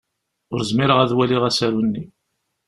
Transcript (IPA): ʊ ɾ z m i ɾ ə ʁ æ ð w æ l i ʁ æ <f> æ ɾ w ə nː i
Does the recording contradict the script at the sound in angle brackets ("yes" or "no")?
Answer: yes